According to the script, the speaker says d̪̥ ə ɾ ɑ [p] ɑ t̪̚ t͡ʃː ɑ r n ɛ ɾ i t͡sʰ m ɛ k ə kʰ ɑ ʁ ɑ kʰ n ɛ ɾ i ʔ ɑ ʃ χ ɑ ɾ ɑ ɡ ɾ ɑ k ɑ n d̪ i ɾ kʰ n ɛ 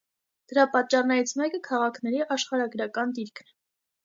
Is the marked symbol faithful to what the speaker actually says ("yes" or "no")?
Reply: yes